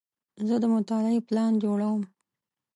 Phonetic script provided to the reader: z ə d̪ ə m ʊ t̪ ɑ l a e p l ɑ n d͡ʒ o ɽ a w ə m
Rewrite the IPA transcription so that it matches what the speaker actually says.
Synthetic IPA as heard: z ə d̪ ə m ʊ t̪ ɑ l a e p l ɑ n d͡ʒ o ɽ a w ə m